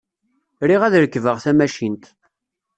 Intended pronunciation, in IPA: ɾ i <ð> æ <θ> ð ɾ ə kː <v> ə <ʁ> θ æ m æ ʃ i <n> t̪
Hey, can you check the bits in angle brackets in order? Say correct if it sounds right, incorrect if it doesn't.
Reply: incorrect, incorrect, correct, correct, correct

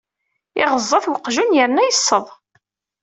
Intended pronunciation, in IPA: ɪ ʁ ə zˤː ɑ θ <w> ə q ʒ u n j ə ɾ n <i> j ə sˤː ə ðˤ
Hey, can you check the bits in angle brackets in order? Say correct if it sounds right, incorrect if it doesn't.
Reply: correct, incorrect

